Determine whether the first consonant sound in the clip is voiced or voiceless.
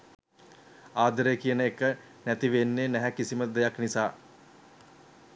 voiced